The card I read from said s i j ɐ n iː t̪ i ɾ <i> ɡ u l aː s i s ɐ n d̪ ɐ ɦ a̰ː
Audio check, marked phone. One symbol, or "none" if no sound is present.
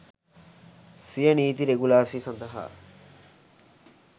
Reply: e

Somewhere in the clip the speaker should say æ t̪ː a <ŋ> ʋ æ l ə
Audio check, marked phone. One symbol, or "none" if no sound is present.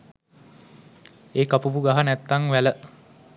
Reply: ŋ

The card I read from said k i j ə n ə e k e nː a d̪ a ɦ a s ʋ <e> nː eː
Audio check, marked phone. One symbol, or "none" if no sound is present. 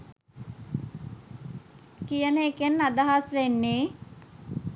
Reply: e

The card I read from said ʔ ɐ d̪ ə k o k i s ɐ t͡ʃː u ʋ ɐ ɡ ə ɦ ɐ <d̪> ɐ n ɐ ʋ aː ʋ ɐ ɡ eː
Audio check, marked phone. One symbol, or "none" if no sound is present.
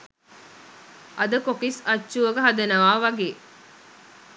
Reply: d̪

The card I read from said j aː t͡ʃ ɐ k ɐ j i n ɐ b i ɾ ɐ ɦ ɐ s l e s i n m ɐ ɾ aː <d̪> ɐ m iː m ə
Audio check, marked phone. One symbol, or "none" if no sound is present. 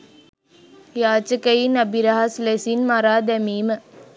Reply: d̪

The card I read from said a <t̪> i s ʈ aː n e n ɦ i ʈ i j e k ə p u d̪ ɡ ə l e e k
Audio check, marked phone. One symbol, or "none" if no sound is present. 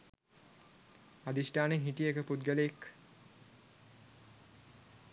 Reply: d̪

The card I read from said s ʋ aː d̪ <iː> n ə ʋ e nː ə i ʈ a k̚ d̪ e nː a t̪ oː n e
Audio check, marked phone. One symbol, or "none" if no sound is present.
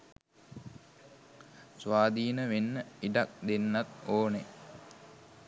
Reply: iː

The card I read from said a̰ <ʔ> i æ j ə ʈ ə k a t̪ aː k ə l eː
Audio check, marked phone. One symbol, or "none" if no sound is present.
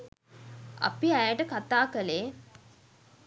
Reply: p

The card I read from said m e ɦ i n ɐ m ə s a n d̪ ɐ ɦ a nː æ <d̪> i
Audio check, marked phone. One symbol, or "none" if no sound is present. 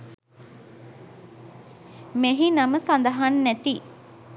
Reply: t̪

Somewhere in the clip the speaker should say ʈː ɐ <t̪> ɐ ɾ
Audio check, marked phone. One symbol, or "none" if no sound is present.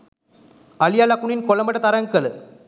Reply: t̪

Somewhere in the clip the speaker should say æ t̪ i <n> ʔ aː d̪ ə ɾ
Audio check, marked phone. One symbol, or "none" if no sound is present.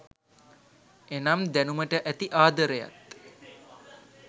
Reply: none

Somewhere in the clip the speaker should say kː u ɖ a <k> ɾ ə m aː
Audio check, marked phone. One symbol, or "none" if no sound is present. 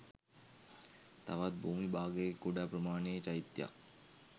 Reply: p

